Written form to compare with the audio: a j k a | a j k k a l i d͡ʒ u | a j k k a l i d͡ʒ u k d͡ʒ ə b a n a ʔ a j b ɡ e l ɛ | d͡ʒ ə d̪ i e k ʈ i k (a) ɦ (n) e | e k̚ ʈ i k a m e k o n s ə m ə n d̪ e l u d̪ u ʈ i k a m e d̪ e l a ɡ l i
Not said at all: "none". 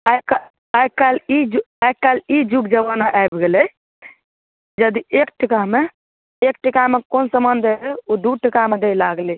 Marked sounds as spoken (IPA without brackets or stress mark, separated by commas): a, m